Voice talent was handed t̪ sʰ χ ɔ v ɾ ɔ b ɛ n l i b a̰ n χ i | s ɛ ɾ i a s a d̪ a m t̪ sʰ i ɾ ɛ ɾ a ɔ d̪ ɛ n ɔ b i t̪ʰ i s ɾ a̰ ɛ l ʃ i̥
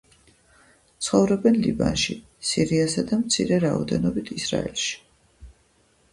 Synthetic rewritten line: t̪ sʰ χ ɔ v ɾ ɔ b ɛ n l i b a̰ n ʃ i | s i ɾ i a s a d̪ a m t̪ sʰ i ɾ ɛ ɾ a ɔ d̪ ɛ n ɔ b i t̪ʰ i s ɾ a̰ ɛ l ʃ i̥